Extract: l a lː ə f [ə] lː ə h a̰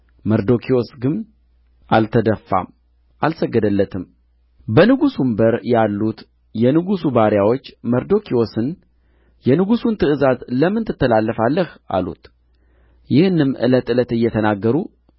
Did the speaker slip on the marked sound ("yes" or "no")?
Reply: yes